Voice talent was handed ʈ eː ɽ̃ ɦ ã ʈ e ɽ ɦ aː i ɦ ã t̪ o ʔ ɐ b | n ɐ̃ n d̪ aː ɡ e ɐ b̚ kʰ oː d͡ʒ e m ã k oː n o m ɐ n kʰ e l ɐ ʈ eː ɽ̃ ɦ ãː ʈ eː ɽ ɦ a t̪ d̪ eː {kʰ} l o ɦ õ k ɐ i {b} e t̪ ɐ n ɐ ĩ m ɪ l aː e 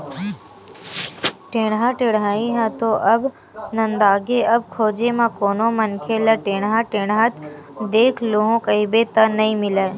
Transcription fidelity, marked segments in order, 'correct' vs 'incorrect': correct, correct

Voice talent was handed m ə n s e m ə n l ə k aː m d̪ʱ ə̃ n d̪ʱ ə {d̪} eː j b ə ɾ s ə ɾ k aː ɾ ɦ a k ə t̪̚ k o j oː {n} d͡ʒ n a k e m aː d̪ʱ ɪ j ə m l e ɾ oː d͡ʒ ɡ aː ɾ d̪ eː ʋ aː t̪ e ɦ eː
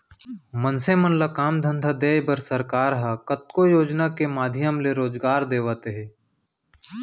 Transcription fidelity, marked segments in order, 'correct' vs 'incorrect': correct, incorrect: none

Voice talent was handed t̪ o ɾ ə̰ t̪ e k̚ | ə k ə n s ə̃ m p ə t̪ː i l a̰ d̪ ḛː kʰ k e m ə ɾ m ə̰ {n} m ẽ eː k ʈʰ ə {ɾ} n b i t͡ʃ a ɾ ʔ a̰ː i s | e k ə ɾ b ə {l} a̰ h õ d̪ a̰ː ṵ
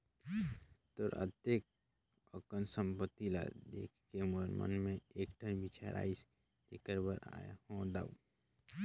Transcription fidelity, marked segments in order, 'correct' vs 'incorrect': correct, incorrect: none, incorrect: ɾ

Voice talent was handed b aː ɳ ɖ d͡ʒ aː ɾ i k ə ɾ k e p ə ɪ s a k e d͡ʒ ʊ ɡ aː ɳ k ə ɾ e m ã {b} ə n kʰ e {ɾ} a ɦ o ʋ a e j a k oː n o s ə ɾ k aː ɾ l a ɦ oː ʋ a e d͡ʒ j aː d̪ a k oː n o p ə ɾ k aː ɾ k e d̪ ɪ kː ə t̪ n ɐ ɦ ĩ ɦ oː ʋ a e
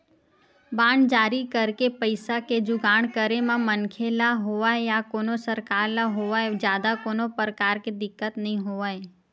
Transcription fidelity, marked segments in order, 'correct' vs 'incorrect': incorrect: m, incorrect: l

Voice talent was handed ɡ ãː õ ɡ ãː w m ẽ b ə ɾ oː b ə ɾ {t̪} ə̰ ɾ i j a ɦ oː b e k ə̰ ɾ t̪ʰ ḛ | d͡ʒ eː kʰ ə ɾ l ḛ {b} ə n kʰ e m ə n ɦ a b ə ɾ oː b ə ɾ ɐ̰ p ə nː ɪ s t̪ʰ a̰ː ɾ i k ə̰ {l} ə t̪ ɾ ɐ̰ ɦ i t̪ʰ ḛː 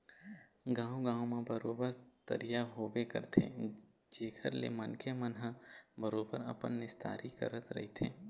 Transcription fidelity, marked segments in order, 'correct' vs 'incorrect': correct, incorrect: m, incorrect: ɾ

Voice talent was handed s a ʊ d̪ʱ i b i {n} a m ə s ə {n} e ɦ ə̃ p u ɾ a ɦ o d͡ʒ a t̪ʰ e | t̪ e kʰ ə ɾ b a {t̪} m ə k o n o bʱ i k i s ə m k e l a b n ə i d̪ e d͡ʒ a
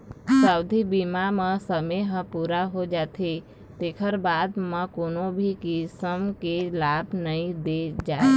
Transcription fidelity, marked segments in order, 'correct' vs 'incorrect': incorrect: m, incorrect: m, incorrect: d̪

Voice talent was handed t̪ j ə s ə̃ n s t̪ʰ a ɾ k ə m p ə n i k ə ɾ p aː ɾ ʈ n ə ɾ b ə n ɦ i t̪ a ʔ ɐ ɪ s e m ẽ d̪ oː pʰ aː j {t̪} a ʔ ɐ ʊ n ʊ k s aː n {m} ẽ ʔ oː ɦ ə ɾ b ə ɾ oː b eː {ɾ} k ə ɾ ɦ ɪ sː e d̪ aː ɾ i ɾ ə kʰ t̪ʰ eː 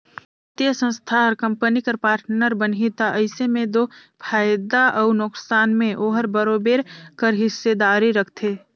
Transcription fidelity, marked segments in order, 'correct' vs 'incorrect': incorrect: d̪, correct, correct

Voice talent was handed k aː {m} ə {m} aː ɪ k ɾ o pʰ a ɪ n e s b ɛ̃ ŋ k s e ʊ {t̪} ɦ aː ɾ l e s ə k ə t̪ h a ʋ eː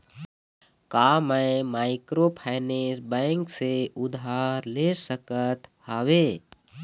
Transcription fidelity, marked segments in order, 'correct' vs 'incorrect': correct, correct, incorrect: d̪

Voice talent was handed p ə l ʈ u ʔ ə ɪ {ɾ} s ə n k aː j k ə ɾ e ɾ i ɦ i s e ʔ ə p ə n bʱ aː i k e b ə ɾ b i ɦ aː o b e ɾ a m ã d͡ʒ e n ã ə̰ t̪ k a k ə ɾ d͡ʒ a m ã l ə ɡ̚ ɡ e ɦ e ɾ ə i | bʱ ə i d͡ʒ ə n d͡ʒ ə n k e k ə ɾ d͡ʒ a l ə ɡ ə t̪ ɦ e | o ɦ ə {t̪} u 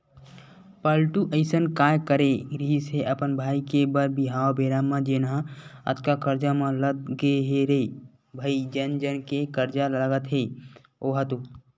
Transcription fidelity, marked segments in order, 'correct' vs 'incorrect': incorrect: none, correct

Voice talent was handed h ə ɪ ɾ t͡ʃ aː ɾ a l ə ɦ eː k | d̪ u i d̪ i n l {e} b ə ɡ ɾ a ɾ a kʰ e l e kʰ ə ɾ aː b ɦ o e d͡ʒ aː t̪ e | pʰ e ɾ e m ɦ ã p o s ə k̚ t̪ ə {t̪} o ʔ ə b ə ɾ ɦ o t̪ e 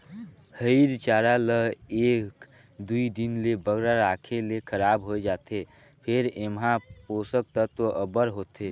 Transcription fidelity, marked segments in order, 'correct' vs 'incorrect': correct, correct

